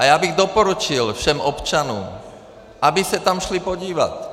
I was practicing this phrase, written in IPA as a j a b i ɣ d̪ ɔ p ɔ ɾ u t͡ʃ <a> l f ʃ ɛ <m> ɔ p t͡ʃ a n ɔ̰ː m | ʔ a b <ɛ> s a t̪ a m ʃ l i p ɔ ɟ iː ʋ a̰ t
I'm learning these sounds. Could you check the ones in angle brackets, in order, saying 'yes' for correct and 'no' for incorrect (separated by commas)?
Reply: no, yes, no